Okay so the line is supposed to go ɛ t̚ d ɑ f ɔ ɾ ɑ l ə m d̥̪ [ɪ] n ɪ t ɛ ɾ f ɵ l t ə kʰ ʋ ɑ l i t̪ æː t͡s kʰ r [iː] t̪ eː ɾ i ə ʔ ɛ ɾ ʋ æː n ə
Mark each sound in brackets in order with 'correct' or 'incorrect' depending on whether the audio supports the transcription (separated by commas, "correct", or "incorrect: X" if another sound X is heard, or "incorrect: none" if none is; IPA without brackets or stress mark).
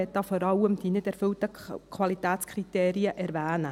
incorrect: i, incorrect: i